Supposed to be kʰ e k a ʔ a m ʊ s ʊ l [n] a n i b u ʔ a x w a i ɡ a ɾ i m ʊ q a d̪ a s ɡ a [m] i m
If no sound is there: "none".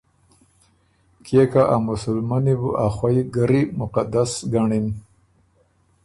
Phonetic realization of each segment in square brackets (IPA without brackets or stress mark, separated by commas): m, ɳ